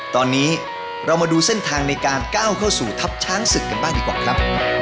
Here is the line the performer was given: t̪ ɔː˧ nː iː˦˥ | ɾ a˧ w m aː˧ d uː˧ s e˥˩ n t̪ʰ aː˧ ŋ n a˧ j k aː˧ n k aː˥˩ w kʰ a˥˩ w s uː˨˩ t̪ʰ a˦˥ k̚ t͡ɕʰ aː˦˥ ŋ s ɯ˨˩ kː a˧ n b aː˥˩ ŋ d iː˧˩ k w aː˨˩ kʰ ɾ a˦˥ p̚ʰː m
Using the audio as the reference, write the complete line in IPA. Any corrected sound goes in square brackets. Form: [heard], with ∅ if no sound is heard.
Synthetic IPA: t̪ ɔː˧ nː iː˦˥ | ɾ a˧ w m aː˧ d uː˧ s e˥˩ n t̪ʰ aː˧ ŋ n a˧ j k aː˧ n k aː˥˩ w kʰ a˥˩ w s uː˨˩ t̪ʰ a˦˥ [p̚] t͡ɕʰ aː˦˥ ŋ s ɯ˨˩ kː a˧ n b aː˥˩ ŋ d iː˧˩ k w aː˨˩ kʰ ɾ a˦˥ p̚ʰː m